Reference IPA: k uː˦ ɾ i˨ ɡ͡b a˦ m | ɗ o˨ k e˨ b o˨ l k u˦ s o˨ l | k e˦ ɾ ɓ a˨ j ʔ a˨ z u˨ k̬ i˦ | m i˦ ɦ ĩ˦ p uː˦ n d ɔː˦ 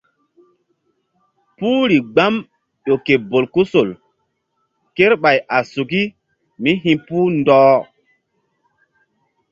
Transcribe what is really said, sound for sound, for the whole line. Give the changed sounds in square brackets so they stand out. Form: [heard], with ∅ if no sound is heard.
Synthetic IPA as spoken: [p] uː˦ ɾ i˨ ɡ͡b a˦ m | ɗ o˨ k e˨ b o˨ l k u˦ s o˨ l | k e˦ ɾ ɓ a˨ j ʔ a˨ [s] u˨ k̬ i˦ | m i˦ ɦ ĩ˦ p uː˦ n d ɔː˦

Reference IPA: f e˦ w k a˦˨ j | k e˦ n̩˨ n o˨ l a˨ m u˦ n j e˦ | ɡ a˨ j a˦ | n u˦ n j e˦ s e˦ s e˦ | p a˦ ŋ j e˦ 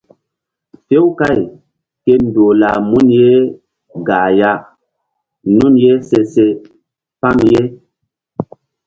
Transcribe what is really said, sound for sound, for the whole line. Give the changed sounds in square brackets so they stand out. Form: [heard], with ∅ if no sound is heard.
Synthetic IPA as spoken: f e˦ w k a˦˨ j | k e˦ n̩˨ [d] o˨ l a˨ m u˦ n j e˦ | ɡ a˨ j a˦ | n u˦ n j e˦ s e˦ s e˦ | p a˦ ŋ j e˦

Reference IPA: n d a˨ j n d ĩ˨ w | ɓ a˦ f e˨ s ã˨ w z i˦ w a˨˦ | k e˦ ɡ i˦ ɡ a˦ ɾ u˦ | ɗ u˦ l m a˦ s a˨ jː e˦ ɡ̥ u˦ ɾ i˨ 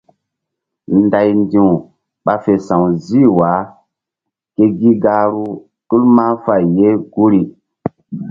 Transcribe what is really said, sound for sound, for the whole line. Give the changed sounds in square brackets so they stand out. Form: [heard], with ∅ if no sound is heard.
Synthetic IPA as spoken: n d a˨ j n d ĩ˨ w | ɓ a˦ f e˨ s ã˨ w z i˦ w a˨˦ | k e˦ ɡ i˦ ɡ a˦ ɾ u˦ | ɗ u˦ l m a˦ [f] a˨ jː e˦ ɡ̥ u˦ ɾ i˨

